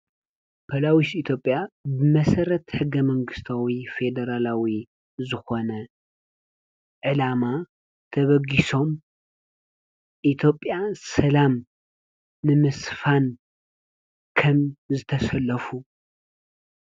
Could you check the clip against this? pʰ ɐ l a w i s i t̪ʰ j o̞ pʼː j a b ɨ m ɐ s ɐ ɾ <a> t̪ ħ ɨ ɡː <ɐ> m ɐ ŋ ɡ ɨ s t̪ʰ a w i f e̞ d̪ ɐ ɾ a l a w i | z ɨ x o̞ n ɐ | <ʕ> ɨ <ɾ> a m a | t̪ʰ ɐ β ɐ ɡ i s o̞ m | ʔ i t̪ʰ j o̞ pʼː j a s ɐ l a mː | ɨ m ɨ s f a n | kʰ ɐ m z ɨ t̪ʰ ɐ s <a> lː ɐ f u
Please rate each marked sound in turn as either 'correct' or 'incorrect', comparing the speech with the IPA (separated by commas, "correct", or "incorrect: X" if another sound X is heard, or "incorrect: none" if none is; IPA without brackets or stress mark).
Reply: incorrect: ɐ, correct, correct, incorrect: l, incorrect: ɐ